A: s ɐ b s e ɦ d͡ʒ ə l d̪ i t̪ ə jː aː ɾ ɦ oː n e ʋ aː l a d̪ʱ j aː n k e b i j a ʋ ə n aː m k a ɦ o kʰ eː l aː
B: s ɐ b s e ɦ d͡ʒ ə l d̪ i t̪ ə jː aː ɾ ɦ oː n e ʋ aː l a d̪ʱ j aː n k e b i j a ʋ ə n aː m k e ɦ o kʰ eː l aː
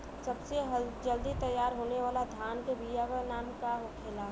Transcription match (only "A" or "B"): A